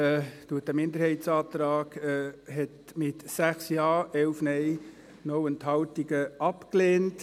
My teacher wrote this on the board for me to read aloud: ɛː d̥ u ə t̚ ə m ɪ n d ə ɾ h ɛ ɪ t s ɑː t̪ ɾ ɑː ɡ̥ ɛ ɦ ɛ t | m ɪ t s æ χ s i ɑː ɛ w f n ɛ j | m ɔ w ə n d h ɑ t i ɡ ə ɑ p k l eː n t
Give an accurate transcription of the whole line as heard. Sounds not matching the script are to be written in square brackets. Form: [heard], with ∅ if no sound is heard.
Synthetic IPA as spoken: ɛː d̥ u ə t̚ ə m ɪ n d ə ɾ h ɛ ɪ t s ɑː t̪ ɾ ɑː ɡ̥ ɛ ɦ ɛ t | m ɪ t s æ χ s [j] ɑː ɛ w f n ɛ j | [n] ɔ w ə n [t] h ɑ t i ɡ ə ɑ p k l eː n t